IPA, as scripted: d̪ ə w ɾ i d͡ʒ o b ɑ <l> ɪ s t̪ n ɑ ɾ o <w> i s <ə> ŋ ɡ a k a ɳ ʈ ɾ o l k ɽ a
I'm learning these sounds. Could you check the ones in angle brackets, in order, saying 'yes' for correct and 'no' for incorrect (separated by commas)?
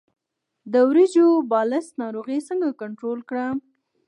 yes, no, yes